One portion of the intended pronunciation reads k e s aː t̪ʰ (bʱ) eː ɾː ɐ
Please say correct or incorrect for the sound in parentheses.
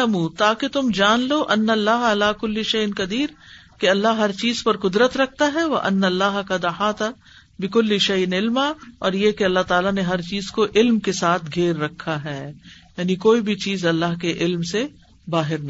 incorrect